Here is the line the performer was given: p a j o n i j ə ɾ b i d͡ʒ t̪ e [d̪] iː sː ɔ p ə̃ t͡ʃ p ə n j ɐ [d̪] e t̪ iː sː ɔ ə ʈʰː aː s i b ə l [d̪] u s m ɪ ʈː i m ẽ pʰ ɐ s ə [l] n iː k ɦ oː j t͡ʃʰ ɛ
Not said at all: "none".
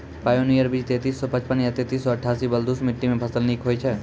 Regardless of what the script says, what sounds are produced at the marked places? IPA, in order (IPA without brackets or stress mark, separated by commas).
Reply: t̪, t̪, d̪, l